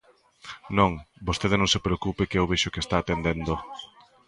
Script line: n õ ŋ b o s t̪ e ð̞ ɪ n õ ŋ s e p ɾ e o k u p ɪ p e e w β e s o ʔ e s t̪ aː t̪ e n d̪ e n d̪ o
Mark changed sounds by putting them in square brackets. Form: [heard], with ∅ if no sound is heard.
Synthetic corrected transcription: n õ ŋ b o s t̪ e ð̞ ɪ n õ ŋ s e p ɾ e o k u p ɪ [k] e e w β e [ʃ] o [k] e s t̪ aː t̪ e n d̪ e n d̪ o